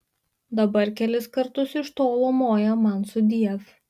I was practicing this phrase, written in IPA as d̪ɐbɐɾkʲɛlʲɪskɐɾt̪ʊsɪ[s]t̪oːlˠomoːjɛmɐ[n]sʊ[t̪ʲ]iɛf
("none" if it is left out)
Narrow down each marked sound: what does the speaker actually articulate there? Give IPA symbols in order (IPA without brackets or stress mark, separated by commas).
ʃ, n, d̪ʲ